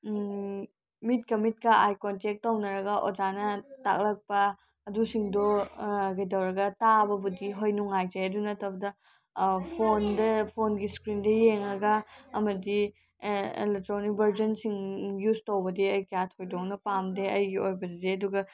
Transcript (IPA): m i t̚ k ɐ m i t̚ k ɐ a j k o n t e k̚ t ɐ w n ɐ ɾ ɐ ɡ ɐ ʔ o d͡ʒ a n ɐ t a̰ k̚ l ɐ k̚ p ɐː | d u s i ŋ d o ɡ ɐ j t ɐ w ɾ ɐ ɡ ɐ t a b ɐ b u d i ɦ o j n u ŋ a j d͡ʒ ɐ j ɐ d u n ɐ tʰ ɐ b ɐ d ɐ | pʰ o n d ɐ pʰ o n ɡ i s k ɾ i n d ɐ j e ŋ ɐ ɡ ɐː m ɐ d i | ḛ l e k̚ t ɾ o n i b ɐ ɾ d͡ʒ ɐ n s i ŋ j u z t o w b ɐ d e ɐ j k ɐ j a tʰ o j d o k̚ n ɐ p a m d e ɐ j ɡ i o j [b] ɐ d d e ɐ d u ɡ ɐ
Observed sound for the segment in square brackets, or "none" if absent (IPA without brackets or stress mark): b